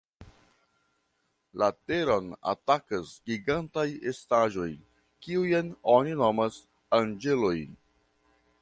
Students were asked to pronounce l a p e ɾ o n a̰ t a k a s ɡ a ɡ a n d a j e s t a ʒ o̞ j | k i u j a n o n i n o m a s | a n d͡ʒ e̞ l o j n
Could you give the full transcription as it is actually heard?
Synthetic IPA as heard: l a t e ɾ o n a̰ t a k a s ɡ i ɡ a n t a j e s t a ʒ o̞ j | k i u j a n o n i n o m a s | a n d͡ʒ e̞ l o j n